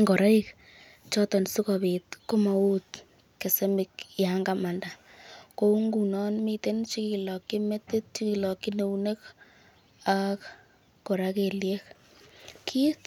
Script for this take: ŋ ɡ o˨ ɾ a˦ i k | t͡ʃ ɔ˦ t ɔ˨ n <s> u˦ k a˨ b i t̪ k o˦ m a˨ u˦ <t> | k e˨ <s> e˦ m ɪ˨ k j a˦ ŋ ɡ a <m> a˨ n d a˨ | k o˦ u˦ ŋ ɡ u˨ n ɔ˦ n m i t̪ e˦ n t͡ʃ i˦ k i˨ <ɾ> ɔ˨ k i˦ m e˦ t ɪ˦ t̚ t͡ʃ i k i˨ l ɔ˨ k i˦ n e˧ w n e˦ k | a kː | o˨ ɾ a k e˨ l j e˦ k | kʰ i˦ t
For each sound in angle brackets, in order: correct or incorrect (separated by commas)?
correct, correct, correct, correct, incorrect